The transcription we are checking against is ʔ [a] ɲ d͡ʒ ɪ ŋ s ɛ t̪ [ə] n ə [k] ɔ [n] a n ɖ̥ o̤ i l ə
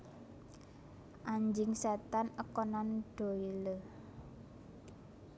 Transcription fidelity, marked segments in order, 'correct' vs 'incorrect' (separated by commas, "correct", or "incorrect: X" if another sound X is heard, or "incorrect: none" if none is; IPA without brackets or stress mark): correct, incorrect: a, correct, correct